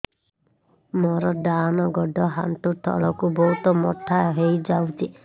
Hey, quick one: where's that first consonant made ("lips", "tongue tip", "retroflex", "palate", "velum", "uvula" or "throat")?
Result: lips